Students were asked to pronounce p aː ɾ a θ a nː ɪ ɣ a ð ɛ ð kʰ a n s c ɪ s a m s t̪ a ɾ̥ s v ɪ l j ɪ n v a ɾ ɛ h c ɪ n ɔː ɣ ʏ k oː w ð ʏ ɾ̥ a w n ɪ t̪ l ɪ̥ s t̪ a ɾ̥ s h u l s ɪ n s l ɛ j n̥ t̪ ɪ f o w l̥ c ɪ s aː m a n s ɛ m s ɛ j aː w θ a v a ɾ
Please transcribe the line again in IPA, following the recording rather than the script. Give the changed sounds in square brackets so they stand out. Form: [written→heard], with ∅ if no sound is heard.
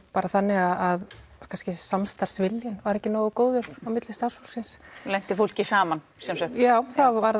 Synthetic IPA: p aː ɾ a θ a nː ɪ ɣ a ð [ɛ→a] ð kʰ a n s c ɪ s a m s t̪ a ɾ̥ s v ɪ l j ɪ n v a ɾ ɛ h c ɪ n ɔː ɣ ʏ k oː w ð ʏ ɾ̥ a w [n→m] ɪ t̪ l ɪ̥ s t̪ a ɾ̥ s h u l s ɪ n s l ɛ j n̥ t̪ ɪ f o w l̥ c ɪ s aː m a n s ɛ m s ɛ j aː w θ a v a ɾ

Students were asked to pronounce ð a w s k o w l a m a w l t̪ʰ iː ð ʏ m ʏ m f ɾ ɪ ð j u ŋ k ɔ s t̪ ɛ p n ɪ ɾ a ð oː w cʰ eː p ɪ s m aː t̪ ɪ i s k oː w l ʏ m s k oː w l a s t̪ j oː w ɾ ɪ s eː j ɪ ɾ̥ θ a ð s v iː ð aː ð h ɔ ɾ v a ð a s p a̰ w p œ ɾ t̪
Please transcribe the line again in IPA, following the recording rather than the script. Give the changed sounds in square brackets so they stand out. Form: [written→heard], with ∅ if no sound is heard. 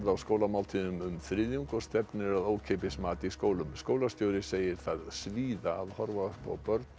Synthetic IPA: ð a w s k o w l a m a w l t̪ʰ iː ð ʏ m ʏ m f ɾ ɪ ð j u ŋ k ɔ s t̪ ɛ p n ɪ ɾ a ð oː w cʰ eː p ɪ s m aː t̪ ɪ i s k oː w l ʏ m s k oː w l a s t̪ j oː w ɾ ɪ s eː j ɪ ɾ̥ θ a ð s v iː ð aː ð h ɔ ɾ v a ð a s p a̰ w p œ ɾ t̪

